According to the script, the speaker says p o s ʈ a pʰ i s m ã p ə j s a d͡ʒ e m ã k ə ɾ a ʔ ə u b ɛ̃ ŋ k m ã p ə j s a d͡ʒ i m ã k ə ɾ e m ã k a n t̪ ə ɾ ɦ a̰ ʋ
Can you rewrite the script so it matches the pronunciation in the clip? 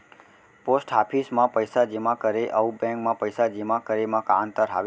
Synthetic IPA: p o s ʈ a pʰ i s m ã p ə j s a d͡ʒ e m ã k ə ɾ e ʔ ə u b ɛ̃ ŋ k m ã p ə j s a d͡ʒ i m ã k ə ɾ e m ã k a n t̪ ə ɾ ɦ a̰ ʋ